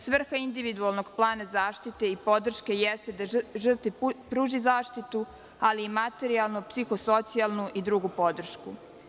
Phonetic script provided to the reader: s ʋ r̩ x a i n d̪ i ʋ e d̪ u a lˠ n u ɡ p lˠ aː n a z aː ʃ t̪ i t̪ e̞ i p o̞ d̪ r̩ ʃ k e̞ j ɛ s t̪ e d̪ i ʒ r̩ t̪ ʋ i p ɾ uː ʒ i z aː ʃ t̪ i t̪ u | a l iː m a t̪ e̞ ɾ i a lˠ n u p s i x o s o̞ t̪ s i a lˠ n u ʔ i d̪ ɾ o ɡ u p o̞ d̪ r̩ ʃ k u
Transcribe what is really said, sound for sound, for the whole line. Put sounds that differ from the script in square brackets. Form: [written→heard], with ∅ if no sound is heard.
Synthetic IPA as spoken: s ʋ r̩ x a i n d̪ i ʋ [e→i] d̪ u a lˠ n [u→o] ɡ p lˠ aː n a z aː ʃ t̪ i t̪ e̞ i p o̞ d̪ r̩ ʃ k e̞ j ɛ s t̪ e d̪ [i→a] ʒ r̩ t̪ ʋ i p ɾ uː ʒ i z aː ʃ t̪ i t̪ u | a l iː m a t̪ e̞ ɾ i a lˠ n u p s i x o s o̞ t̪ s i a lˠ n u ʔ i d̪ ɾ [o→u] ɡ u p o̞ d̪ r̩ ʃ k u